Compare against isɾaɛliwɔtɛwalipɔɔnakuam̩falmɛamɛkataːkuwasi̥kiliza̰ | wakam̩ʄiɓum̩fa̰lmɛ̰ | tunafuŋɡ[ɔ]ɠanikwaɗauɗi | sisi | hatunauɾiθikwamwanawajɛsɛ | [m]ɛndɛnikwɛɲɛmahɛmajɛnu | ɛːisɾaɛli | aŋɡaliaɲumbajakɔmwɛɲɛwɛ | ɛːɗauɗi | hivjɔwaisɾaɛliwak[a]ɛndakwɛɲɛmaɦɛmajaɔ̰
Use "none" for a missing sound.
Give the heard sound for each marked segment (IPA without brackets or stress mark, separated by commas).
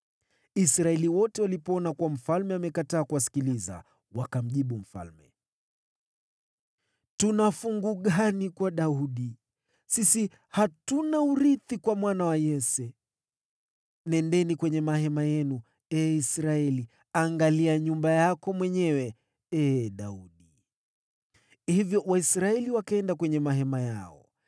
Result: u, n, a